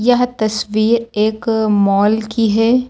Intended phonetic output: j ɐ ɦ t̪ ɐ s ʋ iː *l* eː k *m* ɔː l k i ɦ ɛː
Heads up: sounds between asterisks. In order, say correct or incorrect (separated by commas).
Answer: incorrect, correct